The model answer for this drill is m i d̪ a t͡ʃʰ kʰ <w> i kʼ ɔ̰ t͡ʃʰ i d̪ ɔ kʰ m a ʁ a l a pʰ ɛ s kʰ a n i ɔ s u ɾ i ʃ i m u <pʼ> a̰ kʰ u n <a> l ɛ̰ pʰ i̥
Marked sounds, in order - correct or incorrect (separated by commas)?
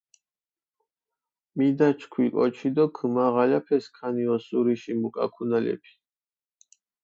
correct, incorrect, correct